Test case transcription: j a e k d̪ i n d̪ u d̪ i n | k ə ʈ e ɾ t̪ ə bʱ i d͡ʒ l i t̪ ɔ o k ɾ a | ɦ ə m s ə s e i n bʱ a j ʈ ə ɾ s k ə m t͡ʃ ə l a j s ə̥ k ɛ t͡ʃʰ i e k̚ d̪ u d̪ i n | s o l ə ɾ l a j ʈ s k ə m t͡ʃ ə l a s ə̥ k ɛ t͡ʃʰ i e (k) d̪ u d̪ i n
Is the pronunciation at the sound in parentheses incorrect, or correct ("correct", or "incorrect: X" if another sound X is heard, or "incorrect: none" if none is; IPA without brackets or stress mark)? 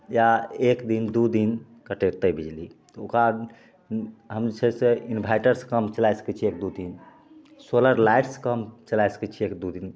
correct